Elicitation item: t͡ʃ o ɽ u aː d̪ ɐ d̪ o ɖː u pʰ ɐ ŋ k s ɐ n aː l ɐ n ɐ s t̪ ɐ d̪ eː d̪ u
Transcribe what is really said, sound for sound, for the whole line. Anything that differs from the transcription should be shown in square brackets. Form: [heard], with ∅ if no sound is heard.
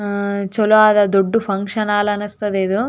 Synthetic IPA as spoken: t͡ʃ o [l] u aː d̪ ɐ d̪ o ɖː u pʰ ɐ ŋ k [ʂ] ɐ n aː l ɐ n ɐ s t̪ ɐ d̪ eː d̪ u